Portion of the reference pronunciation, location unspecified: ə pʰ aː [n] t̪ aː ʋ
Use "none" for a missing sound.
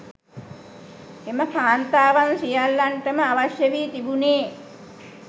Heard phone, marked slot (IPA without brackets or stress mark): n